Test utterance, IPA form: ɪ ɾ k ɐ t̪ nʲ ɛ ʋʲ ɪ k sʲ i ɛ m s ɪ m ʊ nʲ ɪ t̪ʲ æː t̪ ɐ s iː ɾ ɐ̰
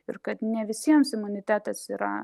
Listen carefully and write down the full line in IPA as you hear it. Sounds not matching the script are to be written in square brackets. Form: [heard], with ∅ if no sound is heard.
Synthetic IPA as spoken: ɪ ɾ k ɐ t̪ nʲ ɛ ʋʲ ɪ [∅] sʲ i ɛ m s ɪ m ʊ nʲ ɪ t̪ʲ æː t̪ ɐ s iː ɾ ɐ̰